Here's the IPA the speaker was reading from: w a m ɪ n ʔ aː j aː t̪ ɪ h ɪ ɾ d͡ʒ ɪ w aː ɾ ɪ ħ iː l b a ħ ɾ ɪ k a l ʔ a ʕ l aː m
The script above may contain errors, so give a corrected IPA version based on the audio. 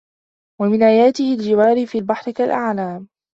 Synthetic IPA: w a m ɪ n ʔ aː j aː t̪ ɪ h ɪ l d͡ʒ ɪ w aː ɾ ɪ f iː l b a ħ ɾ ɪ k a l ʔ a ʕ l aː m

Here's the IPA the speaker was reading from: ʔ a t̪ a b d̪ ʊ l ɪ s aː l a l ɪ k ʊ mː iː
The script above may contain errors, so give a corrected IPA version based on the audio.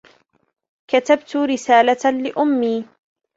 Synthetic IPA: k a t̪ a b t̪ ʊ ɾ ɪ s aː l a l ɪ ʔ ʊ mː iː

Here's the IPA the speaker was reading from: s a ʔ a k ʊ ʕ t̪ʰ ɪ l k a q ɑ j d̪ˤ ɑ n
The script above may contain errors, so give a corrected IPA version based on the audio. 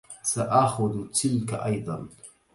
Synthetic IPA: s a ʔ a x ʊ ð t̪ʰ ɪ l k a ʔ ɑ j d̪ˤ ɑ n

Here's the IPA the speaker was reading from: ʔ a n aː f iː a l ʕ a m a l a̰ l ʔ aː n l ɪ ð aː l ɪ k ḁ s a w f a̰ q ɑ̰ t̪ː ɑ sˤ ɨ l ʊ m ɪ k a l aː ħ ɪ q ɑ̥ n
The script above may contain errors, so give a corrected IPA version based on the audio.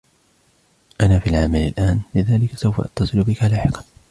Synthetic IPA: ʔ a n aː f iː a l ʕ a m a l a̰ l ʔ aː n l ɪ ð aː l ɪ k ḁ s a w f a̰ ʔ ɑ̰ t̪ː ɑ sˤ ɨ l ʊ b ɪ k a l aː ħ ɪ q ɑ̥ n

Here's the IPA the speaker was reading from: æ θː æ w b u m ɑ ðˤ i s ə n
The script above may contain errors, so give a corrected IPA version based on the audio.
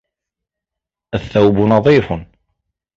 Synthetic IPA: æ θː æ w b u n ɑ ðˤ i f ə n

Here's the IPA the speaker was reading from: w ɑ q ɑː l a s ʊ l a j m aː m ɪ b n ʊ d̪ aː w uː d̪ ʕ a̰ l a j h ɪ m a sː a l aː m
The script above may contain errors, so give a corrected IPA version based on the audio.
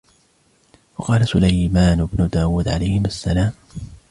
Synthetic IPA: w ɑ q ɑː l a s ʊ l a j m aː n ɪ b n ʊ d̪ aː w uː d̪ ʕ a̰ l a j h ɪ m a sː a l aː m

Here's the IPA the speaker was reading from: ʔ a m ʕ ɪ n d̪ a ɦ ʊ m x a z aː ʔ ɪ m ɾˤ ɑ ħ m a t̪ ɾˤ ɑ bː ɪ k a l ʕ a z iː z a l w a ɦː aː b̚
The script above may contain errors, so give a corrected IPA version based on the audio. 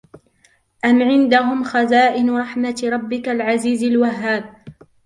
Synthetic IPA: ʔ a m ʕ ɪ n d̪ a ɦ ʊ m x a z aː ʔ ɪ n ɾˤ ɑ ħ m a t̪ ɾˤ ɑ bː ɪ k a l ʕ a z iː z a l w a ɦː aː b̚

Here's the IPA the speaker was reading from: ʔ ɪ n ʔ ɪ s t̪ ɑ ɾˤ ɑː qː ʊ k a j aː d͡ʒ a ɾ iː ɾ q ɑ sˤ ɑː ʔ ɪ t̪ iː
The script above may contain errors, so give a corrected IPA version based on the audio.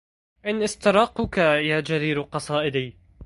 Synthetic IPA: ʔ ɪ n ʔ ɪ s t̪ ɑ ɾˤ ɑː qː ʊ k a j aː d͡ʒ a ɾ iː ɾ q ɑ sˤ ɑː ʔ ɪ d̪ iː

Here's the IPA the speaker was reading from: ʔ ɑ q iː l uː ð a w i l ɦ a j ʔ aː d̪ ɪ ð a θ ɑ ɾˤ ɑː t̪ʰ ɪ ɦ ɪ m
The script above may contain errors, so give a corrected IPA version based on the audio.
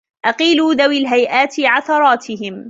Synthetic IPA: ʔ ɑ q iː l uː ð a w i l ɦ a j ʔ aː t̪ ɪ ʕ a θ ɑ ɾˤ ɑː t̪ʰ ɪ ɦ ɪ m

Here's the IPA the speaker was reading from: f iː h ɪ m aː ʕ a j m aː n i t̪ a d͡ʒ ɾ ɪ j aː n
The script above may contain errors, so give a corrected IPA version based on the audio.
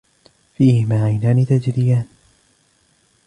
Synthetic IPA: f iː h ɪ m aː ʕ a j n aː n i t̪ a d͡ʒ ɾ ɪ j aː n

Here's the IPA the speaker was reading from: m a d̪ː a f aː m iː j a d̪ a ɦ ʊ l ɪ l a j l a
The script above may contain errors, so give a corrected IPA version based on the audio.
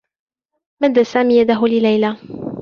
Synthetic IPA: m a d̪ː a s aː m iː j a d̪ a ɦ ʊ l ɪ l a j l a

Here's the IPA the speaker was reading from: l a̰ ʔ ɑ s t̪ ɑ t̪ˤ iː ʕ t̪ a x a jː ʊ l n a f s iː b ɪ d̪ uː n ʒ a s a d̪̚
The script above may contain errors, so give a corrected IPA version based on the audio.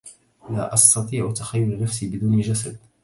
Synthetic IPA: l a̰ ʔ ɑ s t̪ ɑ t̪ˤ iː ʕ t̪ a x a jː ʊ l n a f s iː b ɪ d̪ uː n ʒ a s a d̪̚

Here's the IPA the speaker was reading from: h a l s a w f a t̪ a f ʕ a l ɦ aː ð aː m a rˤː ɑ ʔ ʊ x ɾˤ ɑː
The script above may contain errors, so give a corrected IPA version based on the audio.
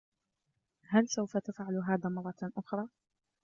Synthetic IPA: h a l s a w f a t̪ a f ʕ a l ɦ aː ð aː m ɑ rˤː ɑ ʔ ʊ x ɾˤ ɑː

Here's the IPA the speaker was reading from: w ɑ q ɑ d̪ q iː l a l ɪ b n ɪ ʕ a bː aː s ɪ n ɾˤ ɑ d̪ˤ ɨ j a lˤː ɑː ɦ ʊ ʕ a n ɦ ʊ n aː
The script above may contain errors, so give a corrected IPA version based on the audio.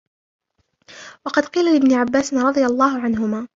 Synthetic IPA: w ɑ q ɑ d̪ q iː l a l ɪ b n ɪ ʕ a bː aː s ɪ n ɾˤ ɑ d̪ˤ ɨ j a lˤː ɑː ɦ ʊ ʕ a n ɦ ʊ m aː

